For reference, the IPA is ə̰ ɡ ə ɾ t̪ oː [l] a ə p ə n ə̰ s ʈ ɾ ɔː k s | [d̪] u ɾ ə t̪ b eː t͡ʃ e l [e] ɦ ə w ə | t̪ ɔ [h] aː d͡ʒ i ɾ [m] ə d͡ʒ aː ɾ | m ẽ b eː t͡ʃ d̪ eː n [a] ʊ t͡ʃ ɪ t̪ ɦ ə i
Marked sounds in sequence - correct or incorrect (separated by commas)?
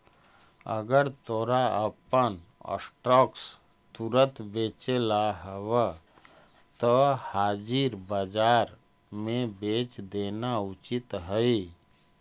incorrect, incorrect, incorrect, correct, incorrect, correct